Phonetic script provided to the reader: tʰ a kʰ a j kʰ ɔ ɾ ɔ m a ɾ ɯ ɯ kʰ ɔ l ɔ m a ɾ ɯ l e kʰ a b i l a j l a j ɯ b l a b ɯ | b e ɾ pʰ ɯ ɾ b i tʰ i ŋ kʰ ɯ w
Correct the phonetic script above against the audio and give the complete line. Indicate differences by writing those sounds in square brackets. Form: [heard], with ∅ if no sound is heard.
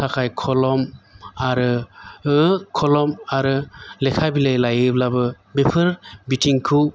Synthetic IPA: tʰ a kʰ a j kʰ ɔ [l] ɔ m a ɾ ɯ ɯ kʰ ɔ l ɔ m a ɾ ɯ l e kʰ a b i l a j l a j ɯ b l a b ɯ | b e [∅] pʰ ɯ ɾ b i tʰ i ŋ kʰ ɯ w